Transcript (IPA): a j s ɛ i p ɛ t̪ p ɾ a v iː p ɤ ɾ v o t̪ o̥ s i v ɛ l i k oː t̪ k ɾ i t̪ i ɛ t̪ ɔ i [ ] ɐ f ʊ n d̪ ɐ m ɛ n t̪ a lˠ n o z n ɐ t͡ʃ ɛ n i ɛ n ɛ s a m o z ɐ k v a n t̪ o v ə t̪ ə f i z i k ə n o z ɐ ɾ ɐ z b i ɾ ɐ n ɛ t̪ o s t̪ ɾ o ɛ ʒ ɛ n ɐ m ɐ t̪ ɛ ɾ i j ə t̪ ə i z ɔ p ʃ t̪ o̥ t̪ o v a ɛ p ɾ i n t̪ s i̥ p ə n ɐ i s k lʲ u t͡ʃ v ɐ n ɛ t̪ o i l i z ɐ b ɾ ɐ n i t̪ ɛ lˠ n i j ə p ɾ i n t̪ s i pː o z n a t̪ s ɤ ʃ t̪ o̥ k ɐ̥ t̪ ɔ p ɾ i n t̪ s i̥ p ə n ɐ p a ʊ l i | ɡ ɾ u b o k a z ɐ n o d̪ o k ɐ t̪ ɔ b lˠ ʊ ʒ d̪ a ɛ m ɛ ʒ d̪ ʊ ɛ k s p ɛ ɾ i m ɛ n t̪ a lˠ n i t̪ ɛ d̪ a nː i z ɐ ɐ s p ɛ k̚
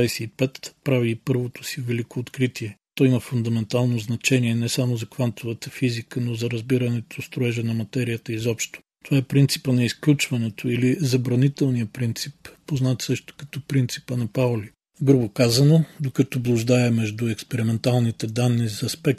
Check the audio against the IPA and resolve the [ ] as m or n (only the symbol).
m